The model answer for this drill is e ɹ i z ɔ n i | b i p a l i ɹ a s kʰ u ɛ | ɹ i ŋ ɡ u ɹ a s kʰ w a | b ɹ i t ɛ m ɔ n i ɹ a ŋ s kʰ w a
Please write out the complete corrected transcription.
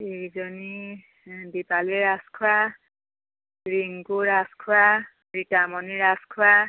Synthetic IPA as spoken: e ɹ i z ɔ n i | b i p a l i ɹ a s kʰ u a | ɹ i ŋ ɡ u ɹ a s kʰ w a | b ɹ i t a m ɔ n i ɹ a s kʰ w a

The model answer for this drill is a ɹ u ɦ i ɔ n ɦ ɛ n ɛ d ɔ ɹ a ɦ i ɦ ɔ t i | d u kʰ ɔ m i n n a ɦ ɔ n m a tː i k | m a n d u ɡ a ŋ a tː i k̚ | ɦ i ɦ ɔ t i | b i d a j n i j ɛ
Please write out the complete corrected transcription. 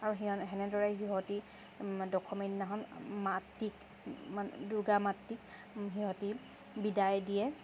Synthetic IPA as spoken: a ɹ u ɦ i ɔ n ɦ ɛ n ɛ d ɔ ɹ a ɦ i ɦ ɔ t i | d ɔ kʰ ɔ m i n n a ɦ ɔ n m a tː i k | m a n d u ɡ a m a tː i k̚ | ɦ i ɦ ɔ t i | b i d a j d i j ɛ

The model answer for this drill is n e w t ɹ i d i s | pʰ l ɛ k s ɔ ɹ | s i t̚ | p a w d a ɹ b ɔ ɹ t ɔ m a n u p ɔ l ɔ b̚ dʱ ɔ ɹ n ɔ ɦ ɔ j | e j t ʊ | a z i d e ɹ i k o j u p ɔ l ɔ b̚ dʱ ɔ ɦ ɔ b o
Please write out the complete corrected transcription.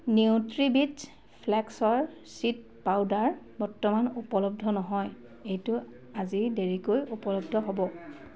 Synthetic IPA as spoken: n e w t ɹ i b i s | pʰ l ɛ k s ɔ ɹ | s i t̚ | p a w d a ɹ b ɔ ɹ t ɔ m a n u p ɔ l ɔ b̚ dʱ ɔ n ɔ ɦ ɔ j | e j t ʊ | a z i d e ɹ i k o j u p ɔ l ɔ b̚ dʱ ɔ ɦ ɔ b ɔ

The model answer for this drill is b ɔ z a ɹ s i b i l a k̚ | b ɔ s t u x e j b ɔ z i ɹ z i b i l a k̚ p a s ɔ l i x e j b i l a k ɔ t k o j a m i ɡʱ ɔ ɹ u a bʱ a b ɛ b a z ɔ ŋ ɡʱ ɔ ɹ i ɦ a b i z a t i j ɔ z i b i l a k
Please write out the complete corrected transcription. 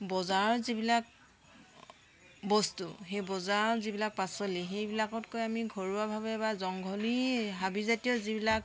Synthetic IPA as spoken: b ɔ z a ɹ z i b i l a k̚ | b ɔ s t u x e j b ɔ z a ɹ z i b i l a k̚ p a s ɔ l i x e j b i l a k ɔ t k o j a m i ɡʱ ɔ ɹ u a bʱ a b ɛ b a z ɔ ŋ ɡʱ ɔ l i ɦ a b i z a t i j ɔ z i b i l a k

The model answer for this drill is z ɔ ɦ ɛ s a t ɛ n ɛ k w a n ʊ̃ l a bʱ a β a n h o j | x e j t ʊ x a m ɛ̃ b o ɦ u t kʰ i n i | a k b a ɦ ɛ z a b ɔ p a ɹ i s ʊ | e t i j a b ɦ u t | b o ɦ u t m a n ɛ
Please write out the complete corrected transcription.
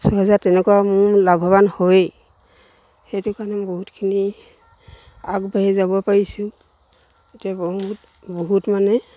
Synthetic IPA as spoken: s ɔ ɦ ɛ z a t ɛ n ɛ k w a m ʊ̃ l a bʱ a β a n h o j | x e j t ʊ k a n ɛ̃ b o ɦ u t kʰ i n i | a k b a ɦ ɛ z a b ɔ p a ɹ i s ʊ | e t i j a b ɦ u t | b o ɦ u t m a n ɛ

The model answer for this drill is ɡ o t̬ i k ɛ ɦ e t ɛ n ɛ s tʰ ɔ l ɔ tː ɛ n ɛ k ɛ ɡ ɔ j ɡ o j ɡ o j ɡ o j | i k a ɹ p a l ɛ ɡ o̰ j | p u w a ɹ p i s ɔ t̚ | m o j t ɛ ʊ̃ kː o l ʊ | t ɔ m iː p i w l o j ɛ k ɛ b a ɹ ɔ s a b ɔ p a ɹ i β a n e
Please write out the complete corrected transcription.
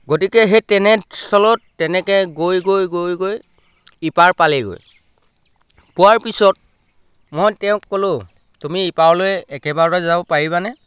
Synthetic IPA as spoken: ɡ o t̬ i k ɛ ɦ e t ɛ n ɛ s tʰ ɔ l ɔ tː ɛ n ɛ k ɛ ɡ o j ɡ o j ɡ o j ɡ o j | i p a ɹ p a l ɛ ɡ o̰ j | p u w a ɹ p i s ɔ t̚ | m o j t ɛ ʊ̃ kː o l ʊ | t u m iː p a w l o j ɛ k ɛ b a ɹ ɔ z a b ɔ p a ɹ i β a n ɛ

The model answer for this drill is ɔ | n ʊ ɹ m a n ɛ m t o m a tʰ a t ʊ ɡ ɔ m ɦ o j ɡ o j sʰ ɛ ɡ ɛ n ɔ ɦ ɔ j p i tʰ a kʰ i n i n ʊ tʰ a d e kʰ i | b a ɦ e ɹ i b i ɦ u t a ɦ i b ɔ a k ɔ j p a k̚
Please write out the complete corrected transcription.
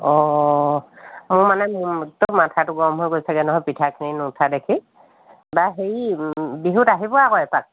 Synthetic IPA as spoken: ɔ | m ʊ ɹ m a n ɛ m t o m a tʰ a t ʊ ɡ ɔ m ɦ o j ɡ o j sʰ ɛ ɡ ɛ n ɔ ɦ ɔ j p i tʰ a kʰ i n i n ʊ tʰ a d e kʰ i | b a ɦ e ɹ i b i ɦ u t a ɦ i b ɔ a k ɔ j p a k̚

